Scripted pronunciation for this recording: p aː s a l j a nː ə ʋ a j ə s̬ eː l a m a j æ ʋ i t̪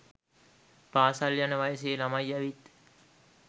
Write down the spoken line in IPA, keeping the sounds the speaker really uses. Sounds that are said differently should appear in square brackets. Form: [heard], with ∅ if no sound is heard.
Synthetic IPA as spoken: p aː s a l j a [n] ə ʋ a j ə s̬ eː l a m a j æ ʋ i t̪